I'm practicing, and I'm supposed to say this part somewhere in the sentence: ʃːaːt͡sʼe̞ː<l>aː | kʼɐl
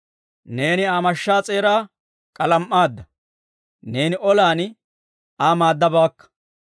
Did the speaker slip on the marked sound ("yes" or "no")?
yes